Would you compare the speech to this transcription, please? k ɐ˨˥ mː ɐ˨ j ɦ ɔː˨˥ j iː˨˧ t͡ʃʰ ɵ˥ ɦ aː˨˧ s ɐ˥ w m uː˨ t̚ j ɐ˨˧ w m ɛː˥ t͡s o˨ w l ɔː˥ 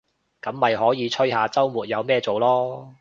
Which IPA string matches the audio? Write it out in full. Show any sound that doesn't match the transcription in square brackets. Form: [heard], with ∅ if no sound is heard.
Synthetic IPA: k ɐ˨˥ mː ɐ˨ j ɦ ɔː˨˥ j iː˨˧ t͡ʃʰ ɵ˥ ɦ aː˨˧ [t͡s] ɐ˥ w m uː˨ t̚ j ɐ˨˧ w m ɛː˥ t͡s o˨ w l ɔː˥